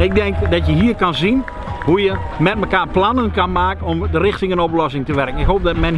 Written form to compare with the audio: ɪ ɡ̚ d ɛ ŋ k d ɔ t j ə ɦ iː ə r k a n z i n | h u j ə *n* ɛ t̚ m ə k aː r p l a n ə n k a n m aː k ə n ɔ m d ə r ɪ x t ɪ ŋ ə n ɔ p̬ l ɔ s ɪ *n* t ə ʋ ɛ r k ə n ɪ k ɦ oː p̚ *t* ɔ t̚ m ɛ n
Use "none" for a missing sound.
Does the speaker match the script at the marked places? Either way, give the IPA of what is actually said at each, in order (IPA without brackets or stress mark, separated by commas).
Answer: m, ŋ, d